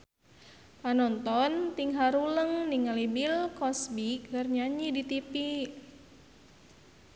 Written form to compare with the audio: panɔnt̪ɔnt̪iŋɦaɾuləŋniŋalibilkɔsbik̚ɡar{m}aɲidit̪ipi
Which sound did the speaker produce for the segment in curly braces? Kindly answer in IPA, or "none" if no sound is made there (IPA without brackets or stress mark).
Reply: ɲ